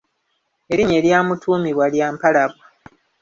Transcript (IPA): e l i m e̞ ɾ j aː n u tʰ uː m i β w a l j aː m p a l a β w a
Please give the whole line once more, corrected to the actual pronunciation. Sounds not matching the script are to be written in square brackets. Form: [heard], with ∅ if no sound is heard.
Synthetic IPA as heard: e [ɾ] i [ɲ] e̞ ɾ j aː [m] u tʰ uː m i β w a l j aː m p a l a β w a